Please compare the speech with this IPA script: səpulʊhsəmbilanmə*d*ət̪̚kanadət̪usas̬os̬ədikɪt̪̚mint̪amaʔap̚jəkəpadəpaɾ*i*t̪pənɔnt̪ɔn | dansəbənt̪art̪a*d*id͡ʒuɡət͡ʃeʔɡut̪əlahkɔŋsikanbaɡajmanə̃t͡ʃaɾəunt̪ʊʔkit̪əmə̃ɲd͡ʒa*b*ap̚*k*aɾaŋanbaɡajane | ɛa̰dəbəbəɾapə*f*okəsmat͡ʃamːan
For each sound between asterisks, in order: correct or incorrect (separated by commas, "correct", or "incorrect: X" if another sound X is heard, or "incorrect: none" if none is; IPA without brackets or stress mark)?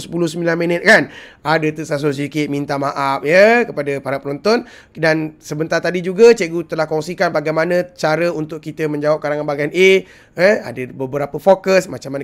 incorrect: n, incorrect: a, correct, incorrect: w, correct, correct